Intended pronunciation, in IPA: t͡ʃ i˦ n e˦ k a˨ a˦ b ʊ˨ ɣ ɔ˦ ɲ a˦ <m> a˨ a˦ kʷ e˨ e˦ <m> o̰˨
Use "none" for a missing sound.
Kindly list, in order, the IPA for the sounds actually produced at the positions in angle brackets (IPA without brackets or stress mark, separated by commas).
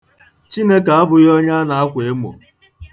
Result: n, m